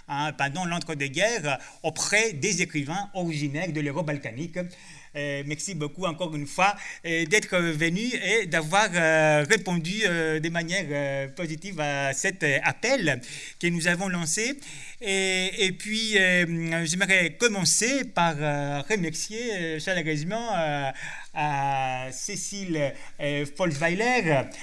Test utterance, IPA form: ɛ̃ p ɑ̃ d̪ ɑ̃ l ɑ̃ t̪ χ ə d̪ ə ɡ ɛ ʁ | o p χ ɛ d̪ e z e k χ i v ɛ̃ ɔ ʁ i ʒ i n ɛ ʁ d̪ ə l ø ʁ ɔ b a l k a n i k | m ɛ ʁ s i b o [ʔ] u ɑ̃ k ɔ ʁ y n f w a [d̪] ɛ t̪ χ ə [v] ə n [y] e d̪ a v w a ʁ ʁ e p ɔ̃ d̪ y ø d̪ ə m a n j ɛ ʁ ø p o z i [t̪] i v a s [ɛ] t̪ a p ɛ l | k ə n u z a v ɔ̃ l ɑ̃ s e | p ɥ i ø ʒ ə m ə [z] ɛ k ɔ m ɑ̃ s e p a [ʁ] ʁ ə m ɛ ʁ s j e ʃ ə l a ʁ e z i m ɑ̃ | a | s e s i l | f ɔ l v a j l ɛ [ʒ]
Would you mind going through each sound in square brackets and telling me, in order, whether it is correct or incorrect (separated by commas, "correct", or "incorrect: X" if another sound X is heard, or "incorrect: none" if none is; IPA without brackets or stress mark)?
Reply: incorrect: k, correct, correct, correct, correct, correct, incorrect: ʁ, correct, incorrect: ʁ